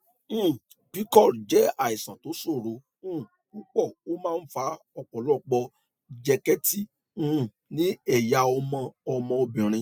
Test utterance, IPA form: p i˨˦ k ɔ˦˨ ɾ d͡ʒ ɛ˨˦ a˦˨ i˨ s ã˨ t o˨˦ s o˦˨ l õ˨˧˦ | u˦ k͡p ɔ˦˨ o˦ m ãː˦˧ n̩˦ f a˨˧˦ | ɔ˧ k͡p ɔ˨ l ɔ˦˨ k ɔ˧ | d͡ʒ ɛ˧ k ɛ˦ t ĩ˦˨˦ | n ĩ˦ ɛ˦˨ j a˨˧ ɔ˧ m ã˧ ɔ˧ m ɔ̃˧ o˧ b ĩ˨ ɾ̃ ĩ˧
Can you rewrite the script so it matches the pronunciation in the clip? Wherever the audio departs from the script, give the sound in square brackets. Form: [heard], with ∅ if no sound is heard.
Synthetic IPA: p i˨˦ k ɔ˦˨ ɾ d͡ʒ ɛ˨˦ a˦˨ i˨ s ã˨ t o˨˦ s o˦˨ [ɾ] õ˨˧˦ | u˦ k͡p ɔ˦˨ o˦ m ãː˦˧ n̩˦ f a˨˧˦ | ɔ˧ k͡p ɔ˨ l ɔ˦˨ [k͡p] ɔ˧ | d͡ʒ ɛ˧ k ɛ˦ t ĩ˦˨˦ | n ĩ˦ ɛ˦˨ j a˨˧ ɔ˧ m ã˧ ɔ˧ m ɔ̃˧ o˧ b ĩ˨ ɾ̃ ĩ˧